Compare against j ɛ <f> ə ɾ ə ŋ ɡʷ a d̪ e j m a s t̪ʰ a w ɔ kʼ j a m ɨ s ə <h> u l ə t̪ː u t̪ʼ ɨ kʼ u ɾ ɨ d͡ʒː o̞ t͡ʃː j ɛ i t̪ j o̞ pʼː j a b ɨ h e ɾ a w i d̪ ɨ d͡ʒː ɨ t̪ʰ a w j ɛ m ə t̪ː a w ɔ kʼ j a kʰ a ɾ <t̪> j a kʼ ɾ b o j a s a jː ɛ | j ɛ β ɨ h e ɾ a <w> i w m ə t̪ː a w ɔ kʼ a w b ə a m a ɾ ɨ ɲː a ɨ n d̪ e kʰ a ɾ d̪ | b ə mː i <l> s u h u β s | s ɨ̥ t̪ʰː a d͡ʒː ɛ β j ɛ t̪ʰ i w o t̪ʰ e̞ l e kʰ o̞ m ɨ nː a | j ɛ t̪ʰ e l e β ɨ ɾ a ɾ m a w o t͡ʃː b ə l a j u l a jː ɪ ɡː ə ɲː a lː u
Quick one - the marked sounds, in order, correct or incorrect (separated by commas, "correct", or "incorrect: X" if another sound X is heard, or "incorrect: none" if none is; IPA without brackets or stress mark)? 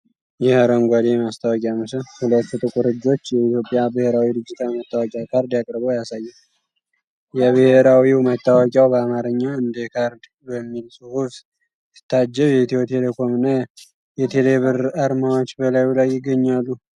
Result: incorrect: h, correct, incorrect: d̪, correct, correct